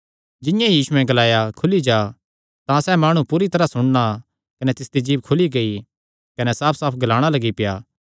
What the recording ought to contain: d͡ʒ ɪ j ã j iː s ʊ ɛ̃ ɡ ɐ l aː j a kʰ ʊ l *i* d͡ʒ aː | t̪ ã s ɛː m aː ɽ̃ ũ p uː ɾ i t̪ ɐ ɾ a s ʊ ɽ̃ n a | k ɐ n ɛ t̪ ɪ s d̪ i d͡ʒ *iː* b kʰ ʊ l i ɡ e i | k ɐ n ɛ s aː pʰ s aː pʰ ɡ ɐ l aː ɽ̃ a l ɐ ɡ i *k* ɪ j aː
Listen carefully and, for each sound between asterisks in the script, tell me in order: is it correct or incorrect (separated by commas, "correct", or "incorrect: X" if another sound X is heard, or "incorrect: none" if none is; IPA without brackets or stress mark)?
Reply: correct, correct, incorrect: p